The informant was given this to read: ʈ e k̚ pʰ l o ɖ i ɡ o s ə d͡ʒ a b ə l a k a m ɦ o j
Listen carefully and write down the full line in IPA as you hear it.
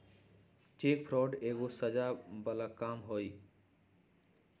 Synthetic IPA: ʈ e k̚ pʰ ɾ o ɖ e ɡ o s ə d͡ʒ a b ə l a k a m ɦ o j